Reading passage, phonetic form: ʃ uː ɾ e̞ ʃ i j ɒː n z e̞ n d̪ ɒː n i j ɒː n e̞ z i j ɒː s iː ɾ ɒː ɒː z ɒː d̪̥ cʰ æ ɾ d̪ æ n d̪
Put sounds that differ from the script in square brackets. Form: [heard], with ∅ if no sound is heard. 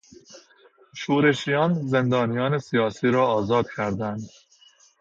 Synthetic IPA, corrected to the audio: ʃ uː ɾ e̞ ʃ i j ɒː n z e̞ n d̪ ɒː n i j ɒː n e̞ [s] i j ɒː s iː ɾ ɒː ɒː z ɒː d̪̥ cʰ æ ɾ d̪ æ n d̪